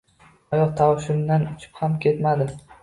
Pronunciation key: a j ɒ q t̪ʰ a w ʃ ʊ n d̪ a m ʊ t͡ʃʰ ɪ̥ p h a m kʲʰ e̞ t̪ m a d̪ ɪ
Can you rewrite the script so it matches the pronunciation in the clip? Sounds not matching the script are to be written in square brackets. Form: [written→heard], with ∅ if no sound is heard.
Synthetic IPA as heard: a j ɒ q t̪ʰ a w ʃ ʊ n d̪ a [m→n] ʊ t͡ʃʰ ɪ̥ p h a m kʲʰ e̞ t̪ m a d̪ ɪ